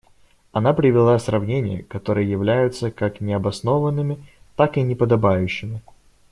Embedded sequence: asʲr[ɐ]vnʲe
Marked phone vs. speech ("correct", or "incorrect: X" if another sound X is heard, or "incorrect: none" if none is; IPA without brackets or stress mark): correct